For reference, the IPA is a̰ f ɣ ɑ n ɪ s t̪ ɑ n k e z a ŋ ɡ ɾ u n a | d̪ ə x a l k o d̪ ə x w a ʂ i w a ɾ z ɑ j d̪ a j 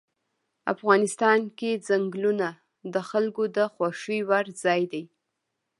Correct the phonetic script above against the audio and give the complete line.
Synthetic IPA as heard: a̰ f ɣ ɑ n ɪ s t̪ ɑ n k e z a ŋ ɡ l u n a | d̪ ə x a l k o d̪ ə x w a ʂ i w a ɾ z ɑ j d̪ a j